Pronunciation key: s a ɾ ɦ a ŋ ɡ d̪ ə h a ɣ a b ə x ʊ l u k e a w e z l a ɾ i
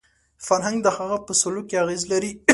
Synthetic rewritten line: f a ɾ ɦ a ŋ ɡ d̪ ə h a ɣ a p ə s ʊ l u k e a ɣ e z l a ɾ i